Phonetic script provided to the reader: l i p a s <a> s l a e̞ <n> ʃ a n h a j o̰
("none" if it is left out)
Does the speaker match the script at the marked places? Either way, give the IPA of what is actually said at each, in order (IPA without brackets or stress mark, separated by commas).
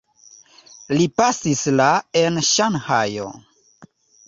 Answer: i, n